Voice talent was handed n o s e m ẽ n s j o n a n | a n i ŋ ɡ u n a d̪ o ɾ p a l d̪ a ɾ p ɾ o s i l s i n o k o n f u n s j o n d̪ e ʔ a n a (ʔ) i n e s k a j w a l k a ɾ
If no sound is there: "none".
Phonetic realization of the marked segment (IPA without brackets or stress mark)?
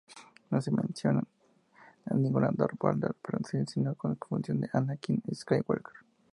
k